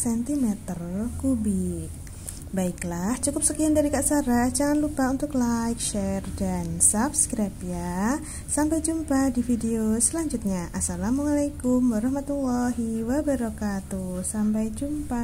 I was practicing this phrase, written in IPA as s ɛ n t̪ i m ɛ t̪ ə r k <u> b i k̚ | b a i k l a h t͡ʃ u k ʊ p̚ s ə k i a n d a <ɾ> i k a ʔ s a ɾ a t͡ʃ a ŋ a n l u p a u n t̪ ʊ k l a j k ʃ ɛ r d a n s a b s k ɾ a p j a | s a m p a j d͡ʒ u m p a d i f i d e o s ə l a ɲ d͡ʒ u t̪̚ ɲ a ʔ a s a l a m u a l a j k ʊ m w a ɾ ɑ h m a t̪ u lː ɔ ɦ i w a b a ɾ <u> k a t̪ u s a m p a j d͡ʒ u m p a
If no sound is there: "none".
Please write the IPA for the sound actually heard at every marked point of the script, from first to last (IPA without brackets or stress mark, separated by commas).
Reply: u, ɾ, ɔ